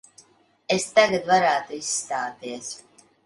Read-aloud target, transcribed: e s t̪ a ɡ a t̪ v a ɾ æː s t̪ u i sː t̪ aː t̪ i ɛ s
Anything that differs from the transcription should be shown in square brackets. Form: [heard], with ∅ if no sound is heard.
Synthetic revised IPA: e s t̪ a ɡ a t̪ v a ɾ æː [∅] t̪ u i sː t̪ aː t̪ i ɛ s